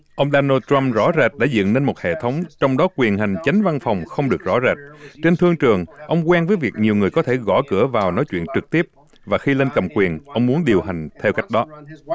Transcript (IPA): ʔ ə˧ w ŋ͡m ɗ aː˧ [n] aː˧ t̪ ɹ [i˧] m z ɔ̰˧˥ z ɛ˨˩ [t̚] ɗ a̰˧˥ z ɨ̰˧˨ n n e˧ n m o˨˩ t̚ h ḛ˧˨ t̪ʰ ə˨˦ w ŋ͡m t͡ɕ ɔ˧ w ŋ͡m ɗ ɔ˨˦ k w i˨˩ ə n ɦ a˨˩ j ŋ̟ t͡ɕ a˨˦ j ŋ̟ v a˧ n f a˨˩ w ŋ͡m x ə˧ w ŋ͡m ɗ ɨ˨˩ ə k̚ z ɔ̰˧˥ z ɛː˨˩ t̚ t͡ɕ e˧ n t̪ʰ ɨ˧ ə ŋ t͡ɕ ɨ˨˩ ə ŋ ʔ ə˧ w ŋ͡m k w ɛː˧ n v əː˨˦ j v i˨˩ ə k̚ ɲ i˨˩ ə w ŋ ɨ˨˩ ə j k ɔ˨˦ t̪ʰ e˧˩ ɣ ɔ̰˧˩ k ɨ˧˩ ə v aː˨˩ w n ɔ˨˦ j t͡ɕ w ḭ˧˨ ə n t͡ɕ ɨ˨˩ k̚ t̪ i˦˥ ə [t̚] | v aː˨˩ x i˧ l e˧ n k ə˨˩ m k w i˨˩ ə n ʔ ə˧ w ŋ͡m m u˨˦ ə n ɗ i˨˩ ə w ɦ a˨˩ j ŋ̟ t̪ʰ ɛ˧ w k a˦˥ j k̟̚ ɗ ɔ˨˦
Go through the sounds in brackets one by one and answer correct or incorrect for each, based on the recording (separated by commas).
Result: correct, incorrect, correct, incorrect